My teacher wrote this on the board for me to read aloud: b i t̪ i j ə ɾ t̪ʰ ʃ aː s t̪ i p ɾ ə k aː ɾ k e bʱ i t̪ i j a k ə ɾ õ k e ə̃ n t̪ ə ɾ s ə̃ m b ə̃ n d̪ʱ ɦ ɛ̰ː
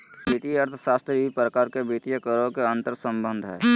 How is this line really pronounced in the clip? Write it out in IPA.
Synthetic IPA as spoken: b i t̪ i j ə ɾ t̪ʰ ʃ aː s t̪ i p ɾ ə k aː ɾ k e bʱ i t̪ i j ə k ə ɾ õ k e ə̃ n t̪ ə ɾ s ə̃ m b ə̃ n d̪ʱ ɦ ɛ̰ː